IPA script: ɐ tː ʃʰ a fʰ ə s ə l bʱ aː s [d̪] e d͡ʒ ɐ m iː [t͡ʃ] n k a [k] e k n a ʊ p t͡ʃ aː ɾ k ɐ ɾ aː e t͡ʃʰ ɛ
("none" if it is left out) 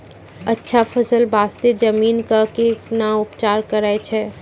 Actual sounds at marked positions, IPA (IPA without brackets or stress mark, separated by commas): t̪, none, k